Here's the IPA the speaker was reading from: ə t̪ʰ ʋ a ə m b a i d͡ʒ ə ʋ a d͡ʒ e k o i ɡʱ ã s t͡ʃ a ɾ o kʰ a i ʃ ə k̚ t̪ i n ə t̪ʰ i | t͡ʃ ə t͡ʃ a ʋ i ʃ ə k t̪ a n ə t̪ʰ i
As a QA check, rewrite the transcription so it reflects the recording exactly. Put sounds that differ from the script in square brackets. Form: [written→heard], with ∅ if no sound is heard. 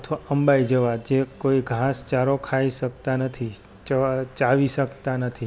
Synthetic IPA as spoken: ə t̪ʰ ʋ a ə m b a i d͡ʒ ə ʋ a d͡ʒ e k o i ɡʱ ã s t͡ʃ a ɾ o kʰ a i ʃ ə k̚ t̪ [i→a] n ə t̪ʰ i | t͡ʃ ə t͡ʃ a ʋ i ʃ ə k t̪ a n ə t̪ʰ i